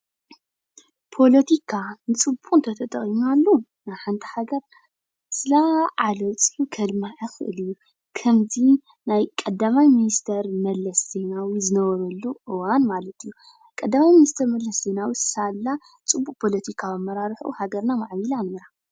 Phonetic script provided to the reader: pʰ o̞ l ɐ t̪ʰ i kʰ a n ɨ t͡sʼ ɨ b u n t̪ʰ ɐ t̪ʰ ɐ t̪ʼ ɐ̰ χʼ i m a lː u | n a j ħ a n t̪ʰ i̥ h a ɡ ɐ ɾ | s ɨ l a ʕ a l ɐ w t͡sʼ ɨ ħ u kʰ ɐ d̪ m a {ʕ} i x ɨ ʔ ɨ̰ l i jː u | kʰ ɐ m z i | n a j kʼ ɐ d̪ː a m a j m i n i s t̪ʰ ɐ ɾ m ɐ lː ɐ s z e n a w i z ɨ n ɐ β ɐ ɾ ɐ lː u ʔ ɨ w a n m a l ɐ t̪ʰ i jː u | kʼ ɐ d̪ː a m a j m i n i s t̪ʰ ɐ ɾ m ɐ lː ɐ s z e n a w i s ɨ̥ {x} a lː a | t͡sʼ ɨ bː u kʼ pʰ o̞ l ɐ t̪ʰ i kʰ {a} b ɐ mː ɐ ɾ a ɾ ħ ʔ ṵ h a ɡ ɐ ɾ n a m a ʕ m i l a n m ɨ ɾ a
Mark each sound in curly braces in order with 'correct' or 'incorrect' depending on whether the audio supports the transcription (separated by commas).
correct, incorrect, correct